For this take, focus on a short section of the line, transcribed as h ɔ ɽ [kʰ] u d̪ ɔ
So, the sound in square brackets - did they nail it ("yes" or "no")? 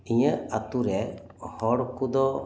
no